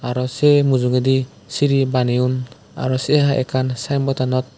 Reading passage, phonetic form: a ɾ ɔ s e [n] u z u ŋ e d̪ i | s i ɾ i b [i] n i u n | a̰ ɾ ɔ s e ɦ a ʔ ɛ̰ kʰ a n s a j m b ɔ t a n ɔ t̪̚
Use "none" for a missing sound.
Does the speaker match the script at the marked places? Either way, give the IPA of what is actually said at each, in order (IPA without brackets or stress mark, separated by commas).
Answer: m, a